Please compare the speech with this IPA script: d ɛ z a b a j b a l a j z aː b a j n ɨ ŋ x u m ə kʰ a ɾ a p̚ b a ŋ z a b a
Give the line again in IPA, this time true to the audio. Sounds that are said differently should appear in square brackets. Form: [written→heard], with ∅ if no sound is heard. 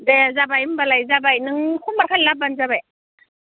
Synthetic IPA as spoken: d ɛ z a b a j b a l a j z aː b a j n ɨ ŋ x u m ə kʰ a [ɾ→l] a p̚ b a [ŋ→n] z a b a